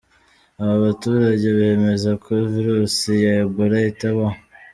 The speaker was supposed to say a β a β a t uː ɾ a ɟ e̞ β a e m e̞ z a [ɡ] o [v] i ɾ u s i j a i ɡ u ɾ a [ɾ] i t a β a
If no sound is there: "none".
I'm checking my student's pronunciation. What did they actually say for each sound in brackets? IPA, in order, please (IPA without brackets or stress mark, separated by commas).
k, v, none